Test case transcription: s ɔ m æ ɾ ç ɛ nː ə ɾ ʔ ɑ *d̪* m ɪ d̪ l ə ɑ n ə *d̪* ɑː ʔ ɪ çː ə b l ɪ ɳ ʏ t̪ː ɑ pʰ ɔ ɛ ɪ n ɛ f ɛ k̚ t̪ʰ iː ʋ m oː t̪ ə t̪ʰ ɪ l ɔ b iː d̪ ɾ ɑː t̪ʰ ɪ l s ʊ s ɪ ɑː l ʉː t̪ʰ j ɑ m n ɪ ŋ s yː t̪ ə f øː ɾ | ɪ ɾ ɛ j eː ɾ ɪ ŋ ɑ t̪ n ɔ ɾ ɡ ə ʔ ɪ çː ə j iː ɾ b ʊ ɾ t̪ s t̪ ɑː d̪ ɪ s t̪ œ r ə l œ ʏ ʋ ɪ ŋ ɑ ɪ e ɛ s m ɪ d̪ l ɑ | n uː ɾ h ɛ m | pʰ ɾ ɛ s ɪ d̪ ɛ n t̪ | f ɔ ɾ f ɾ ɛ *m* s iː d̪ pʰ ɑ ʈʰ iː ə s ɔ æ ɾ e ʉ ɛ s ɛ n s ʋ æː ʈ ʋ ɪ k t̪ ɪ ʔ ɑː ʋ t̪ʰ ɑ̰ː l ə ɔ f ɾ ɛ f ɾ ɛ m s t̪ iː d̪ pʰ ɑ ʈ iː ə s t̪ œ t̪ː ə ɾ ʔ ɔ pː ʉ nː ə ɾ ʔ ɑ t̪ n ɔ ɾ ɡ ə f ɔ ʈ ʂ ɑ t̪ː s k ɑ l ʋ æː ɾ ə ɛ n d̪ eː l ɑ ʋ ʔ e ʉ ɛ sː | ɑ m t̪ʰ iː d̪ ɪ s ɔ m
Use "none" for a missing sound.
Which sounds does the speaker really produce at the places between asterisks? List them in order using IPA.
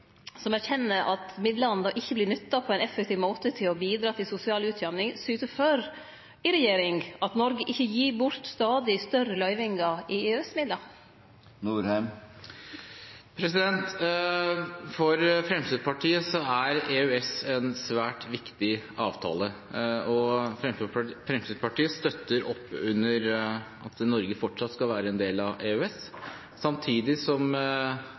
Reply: t̪, d̪, m

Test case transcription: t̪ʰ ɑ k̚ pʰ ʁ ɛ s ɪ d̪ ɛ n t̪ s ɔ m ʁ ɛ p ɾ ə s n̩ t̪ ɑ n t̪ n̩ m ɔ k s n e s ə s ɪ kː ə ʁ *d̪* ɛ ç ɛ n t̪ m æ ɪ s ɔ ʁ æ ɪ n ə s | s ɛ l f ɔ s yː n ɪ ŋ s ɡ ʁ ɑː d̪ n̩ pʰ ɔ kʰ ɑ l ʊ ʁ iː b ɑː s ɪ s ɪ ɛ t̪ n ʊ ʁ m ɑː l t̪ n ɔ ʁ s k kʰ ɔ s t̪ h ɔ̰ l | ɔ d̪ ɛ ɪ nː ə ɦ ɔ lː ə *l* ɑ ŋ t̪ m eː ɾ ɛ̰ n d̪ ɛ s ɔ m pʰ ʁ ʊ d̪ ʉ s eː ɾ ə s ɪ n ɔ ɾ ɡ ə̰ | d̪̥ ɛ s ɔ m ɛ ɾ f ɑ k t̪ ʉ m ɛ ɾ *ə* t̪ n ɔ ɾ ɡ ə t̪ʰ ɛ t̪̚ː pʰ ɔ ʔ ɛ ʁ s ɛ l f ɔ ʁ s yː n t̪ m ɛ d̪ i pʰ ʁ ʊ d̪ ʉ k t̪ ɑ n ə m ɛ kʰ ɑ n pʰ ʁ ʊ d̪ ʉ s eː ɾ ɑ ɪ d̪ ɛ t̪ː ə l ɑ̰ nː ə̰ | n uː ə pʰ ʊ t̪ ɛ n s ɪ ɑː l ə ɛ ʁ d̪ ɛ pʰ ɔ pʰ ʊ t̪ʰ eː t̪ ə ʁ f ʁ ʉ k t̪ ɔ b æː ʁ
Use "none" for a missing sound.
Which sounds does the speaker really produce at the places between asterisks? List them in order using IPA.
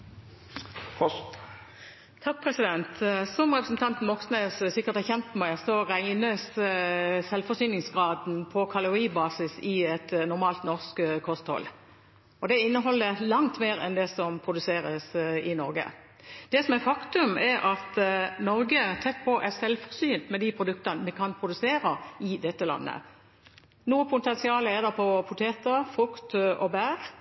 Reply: t̪, l, ɑ

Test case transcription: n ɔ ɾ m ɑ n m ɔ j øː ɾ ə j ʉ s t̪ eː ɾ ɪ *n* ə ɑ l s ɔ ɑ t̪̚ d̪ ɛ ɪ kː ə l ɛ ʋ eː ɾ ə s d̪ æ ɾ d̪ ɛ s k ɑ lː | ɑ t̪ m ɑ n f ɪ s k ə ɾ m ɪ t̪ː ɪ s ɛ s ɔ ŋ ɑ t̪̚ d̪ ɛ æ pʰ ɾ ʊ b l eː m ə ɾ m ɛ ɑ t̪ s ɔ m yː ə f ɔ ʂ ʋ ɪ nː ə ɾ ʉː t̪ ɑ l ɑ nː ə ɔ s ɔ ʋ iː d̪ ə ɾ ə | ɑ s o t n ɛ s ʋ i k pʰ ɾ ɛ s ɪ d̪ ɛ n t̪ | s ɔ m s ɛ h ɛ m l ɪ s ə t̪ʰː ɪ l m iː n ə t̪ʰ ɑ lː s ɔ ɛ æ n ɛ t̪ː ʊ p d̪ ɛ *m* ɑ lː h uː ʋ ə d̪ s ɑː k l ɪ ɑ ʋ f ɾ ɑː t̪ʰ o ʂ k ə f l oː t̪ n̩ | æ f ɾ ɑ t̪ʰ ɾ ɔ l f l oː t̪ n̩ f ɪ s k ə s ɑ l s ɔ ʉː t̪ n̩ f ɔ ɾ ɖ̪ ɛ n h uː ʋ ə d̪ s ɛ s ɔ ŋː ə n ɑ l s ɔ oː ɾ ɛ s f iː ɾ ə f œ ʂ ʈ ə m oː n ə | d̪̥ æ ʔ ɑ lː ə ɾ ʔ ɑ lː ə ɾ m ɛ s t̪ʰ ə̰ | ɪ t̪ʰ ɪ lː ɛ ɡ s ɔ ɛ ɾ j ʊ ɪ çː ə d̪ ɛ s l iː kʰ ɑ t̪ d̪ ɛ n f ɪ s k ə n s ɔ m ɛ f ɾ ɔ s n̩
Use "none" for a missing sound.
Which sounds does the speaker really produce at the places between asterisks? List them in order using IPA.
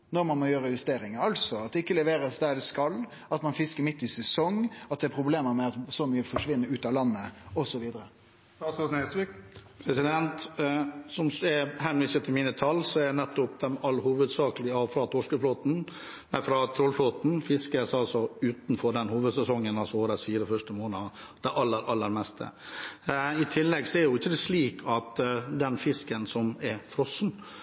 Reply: ŋ, m

